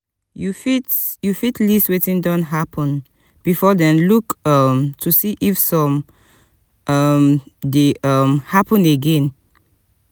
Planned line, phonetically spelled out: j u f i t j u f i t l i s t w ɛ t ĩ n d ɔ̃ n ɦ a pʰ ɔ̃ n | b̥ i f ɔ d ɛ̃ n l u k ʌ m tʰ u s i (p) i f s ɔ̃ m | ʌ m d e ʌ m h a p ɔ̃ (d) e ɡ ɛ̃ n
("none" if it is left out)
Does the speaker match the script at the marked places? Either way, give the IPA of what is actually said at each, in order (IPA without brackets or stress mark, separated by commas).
ʔ, n